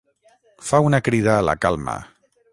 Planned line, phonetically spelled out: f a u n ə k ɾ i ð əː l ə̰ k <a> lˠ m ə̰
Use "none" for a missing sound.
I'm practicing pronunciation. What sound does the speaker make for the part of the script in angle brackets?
a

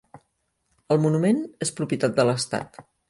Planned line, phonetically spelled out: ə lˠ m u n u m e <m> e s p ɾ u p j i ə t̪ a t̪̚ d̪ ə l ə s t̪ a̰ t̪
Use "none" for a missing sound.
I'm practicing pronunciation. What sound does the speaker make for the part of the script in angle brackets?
n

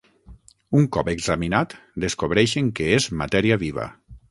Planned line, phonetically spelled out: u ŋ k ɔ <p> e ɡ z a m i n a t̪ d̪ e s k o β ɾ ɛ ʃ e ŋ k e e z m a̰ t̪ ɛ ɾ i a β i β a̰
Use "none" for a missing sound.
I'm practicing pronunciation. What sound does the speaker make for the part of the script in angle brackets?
p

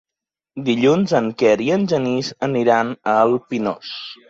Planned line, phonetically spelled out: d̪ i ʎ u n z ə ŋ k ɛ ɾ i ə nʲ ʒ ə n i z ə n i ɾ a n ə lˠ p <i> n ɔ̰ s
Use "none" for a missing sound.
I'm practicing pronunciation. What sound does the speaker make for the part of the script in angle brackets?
i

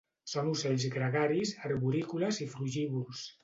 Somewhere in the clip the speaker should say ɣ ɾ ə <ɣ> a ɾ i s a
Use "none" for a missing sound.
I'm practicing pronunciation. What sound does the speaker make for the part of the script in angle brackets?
ɣ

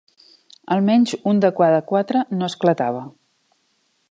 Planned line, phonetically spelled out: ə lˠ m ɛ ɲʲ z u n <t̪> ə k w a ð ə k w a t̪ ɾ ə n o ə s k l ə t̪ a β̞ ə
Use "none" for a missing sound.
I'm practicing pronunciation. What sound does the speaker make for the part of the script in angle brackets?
d̪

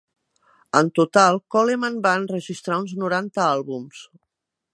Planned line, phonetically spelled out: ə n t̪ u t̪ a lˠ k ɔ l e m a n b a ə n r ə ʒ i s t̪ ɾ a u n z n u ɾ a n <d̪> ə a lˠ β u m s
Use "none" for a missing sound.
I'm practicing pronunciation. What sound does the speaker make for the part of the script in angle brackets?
t̪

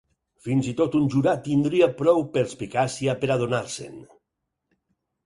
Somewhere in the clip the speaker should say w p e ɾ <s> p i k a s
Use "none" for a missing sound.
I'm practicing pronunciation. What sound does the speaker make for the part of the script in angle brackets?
s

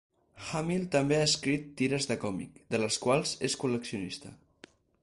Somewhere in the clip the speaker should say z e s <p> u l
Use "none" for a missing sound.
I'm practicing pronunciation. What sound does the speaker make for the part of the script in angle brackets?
k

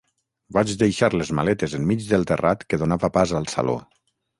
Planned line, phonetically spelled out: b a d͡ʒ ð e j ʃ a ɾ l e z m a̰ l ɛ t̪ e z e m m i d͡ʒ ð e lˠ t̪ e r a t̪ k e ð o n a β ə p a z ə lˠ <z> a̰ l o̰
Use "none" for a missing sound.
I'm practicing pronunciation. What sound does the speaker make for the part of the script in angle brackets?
s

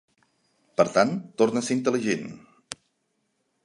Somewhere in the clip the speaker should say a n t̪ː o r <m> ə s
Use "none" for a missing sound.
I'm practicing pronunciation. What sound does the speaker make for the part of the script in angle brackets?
n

